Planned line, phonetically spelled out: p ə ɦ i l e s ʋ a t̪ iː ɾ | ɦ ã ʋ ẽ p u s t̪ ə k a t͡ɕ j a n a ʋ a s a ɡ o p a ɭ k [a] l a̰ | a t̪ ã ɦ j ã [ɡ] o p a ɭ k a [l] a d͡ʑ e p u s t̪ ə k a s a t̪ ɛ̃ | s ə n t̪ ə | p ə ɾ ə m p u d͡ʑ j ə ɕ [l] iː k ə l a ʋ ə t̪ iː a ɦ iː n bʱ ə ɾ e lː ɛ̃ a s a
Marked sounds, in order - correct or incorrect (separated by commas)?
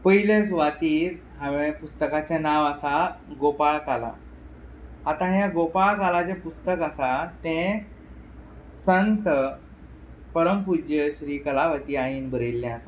correct, correct, correct, incorrect